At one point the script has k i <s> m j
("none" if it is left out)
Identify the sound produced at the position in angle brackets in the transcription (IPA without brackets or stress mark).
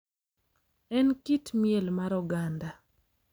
t